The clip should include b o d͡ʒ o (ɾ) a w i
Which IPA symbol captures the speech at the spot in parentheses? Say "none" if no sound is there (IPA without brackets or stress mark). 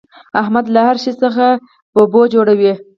ɽ